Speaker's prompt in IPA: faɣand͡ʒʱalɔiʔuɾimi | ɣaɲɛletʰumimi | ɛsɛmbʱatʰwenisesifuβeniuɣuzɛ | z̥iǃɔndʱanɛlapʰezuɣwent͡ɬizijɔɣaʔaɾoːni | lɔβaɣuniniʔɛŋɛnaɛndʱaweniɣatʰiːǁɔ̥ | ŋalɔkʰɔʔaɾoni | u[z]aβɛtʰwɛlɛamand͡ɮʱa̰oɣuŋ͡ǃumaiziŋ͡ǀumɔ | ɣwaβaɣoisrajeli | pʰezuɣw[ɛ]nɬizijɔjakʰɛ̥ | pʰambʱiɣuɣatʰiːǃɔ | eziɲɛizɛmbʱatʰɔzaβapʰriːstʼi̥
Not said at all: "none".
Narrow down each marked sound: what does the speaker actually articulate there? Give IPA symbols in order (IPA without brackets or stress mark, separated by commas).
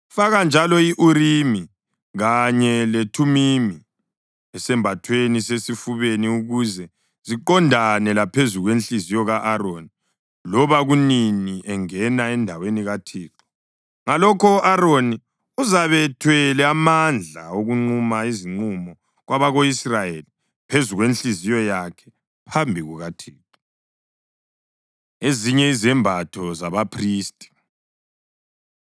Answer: z, e